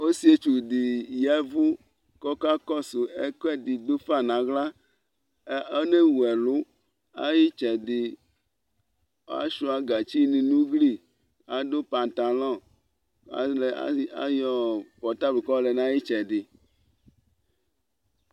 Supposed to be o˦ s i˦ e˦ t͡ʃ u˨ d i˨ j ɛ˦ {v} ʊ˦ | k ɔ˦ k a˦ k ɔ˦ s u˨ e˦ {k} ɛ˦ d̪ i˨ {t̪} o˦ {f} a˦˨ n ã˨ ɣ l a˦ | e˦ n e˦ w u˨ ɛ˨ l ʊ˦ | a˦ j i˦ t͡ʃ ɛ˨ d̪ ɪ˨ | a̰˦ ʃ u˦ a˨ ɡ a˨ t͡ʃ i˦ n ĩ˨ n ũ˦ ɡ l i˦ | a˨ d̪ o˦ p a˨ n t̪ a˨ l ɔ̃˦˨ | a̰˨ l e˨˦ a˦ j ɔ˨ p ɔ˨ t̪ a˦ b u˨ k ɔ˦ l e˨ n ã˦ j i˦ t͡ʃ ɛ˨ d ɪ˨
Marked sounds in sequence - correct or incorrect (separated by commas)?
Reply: correct, correct, incorrect, correct